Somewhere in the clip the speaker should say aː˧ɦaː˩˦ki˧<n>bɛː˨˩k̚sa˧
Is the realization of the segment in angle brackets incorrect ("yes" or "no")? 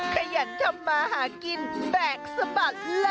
no